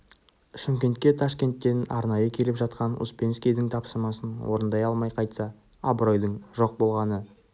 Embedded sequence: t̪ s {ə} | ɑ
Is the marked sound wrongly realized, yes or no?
yes